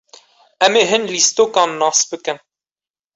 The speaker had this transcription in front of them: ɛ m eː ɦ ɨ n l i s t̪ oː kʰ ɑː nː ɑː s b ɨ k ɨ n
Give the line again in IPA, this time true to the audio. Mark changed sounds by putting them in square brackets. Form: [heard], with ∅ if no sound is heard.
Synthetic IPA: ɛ m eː ɦ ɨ n l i s t̪ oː [k] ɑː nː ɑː s b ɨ k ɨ n